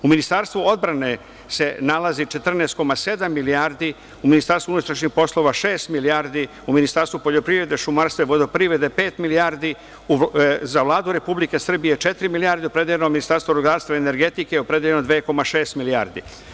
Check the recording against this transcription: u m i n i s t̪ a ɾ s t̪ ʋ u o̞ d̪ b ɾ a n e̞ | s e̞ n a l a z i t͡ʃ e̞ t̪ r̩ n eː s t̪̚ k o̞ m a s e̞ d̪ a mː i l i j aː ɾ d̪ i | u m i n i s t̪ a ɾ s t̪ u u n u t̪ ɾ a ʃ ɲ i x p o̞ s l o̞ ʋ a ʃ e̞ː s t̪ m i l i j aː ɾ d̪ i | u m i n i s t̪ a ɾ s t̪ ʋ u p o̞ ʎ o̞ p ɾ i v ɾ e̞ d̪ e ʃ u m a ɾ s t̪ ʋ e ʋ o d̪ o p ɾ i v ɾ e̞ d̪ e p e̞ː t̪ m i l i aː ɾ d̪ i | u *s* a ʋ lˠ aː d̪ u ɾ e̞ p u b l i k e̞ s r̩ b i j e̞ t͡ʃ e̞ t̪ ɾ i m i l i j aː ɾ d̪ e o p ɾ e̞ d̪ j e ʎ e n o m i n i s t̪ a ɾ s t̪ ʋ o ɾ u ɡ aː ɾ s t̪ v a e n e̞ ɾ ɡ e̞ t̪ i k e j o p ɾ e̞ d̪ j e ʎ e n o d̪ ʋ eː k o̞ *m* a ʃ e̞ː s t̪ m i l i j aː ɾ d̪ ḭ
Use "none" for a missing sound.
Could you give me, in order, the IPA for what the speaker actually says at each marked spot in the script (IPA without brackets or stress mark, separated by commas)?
z, m